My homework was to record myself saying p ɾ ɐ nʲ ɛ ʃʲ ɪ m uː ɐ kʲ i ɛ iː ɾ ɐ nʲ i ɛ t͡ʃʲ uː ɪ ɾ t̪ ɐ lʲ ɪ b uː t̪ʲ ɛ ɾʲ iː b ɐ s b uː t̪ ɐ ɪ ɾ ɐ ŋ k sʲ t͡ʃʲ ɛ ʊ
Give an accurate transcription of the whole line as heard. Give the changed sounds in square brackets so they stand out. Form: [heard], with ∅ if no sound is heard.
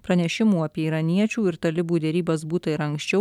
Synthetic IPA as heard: p ɾ ɐ nʲ ɛ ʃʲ ɪ m uː ɐ [pʲ] i ɛ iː ɾ ɐ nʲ i ɛ t͡ʃʲ uː ɪ ɾ t̪ ɐ lʲ ɪ b uː [d̪ʲ] ɛ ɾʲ iː b ɐ s b uː t̪ ɐ ɪ ɾ ɐ ŋ k sʲ t͡ʃʲ ɛ ʊ